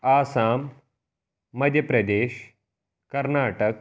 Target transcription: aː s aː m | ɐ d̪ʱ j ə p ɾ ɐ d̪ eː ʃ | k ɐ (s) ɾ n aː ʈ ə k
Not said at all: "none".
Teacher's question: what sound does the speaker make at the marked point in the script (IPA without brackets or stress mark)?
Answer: none